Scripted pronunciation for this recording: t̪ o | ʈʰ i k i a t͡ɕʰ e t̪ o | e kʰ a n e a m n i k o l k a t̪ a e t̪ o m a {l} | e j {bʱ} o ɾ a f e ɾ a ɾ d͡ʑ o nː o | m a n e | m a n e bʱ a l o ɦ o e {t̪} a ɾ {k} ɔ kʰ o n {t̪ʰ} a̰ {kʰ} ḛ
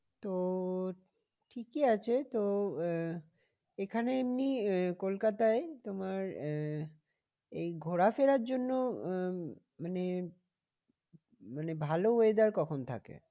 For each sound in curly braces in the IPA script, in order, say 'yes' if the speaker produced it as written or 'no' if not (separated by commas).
no, no, no, yes, yes, no